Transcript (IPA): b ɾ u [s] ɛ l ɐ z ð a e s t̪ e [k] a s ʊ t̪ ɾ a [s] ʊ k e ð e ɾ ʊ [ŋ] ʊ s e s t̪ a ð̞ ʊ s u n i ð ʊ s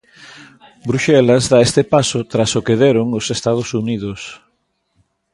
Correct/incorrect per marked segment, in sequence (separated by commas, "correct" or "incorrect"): incorrect, incorrect, correct, correct